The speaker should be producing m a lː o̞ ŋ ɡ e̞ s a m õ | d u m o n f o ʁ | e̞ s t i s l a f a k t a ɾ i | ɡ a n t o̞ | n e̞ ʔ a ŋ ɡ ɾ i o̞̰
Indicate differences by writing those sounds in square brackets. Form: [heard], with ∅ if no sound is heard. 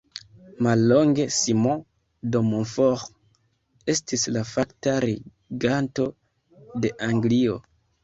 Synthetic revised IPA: m a lː o̞ ŋ ɡ e̞ s [i] m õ | d [o] m o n f o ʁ | e̞ s t i s l a f a k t a ɾ i | ɡ a n t o̞ | [d] e̞ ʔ a ŋ ɡ [l] i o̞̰

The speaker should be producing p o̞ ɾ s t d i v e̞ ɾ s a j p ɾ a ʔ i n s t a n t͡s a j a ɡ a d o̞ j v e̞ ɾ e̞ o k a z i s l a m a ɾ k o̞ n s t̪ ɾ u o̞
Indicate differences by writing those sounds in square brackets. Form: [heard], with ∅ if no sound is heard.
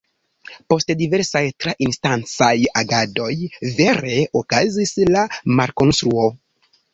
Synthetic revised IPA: p o̞ [∅] s t d i v e̞ ɾ s a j [t] ɾ a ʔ i n s t a n t͡s a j a ɡ a d o̞ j v e̞ ɾ e̞ o k a z i s l a m a ɾ k o̞ n s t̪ ɾ u o̞

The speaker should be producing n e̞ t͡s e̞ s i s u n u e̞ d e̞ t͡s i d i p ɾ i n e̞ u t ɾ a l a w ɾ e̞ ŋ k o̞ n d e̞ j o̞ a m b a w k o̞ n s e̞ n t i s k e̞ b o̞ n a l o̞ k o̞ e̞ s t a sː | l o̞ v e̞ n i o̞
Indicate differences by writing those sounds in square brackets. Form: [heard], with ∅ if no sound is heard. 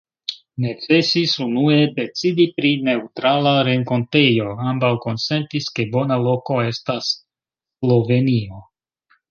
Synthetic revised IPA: n e̞ t͡s e̞ s i s u n u e̞ d e̞ t͡s i d i p ɾ i n e̞ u t ɾ a l a [∅] ɾ e̞ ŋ k o̞ n [t] e̞ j o̞ a m b a w k o̞ n s e̞ n t i s k e̞ b o̞ n a l o̞ k o̞ e̞ s t a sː | l o̞ v e̞ n i o̞

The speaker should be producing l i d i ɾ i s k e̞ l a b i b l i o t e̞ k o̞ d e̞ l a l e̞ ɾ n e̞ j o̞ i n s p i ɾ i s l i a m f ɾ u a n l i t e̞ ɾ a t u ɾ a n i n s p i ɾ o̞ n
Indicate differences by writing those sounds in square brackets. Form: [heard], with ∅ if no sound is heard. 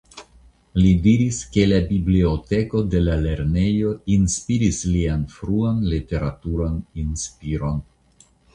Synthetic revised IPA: l i d i ɾ i s k e̞ l a b i b l i o t e̞ k o̞ d e̞ l a l e̞ ɾ n e̞ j o̞ i n s p i ɾ i s l i a [n] f ɾ u a n l i t e̞ ɾ a t u ɾ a n i n s p i ɾ o̞ n

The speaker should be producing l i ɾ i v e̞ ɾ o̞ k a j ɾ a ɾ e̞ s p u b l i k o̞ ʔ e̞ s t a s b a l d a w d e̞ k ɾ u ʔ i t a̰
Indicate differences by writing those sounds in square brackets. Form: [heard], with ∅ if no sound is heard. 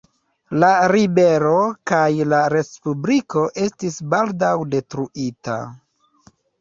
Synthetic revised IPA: l [a] ɾ i [b] e̞ ɾ o̞ k a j [l] a ɾ e̞ s p u b l i k o̞ ʔ e̞ s t [i] s b a l d a w d e̞ [t] ɾ u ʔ i t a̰

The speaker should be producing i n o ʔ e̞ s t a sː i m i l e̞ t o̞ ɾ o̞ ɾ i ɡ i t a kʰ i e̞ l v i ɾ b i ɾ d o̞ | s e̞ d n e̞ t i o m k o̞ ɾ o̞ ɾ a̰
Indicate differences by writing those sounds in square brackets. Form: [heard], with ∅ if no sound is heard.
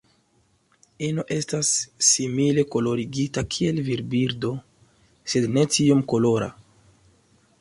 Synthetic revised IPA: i n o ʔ e̞ s t a sː i m i l e̞ [k] o̞ [l] o̞ ɾ i ɡ i t a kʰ i e̞ l v i ɾ b i ɾ d o̞ | s e̞ d n e̞ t i o m k o̞ [l] o̞ ɾ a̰

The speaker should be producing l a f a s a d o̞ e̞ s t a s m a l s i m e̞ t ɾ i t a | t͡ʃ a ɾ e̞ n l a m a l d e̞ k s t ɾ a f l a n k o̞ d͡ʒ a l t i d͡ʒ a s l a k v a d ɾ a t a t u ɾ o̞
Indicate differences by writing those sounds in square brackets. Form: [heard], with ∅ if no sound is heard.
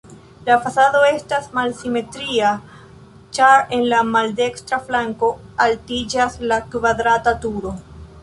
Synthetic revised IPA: l a f a s a d o̞ e̞ s t a s m a l s i m e̞ t ɾ i [∅] a | t͡ʃ a ɾ e̞ n l a m a l d e̞ k s t ɾ a f l a [ŋ] k o̞ [∅] a l t i d͡ʒ a s l a k v a d ɾ a t a t u ɾ o̞

